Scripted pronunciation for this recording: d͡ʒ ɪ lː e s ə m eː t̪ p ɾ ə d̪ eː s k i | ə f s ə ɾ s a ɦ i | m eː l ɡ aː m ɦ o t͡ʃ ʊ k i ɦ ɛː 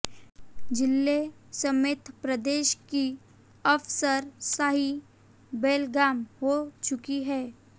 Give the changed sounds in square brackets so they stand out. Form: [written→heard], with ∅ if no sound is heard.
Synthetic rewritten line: d͡ʒ ɪ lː e s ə m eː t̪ p ɾ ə d̪ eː [s→ʃ] k i | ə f s ə ɾ s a ɦ i | [m→b] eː l ɡ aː m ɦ o t͡ʃ ʊ k i ɦ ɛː